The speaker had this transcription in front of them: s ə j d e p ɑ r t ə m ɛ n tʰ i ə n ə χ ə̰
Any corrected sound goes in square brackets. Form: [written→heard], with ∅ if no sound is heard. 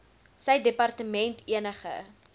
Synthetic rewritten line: s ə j d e p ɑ r t ə m ɛ n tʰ i ə n ə χ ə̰